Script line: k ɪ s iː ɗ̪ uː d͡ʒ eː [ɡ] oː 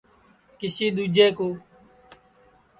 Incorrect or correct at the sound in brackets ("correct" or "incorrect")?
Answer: incorrect